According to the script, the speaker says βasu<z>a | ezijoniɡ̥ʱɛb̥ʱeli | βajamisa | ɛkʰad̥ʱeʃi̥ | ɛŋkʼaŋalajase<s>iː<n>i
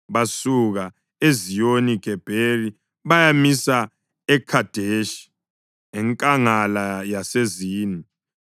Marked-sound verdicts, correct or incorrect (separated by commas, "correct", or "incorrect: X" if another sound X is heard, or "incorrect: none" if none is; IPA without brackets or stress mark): incorrect: ɣ, incorrect: z, correct